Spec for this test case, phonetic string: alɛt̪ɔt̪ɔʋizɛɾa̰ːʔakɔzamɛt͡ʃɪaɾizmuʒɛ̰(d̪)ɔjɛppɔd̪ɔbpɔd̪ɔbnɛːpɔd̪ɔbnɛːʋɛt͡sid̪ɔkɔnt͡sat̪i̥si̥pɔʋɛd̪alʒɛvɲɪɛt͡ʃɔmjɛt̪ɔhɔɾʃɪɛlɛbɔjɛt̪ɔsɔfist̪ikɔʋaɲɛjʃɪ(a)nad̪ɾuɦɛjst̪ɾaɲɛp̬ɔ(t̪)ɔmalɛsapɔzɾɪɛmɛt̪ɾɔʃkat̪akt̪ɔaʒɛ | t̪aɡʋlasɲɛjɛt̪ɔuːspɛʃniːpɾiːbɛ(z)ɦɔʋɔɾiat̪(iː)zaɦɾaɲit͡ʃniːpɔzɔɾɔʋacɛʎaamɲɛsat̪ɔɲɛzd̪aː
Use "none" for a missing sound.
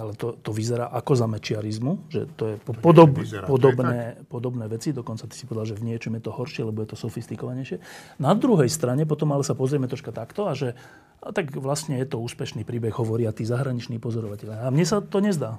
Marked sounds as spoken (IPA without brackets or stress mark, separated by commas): t̪, ɛ, t̪, ɣ, iː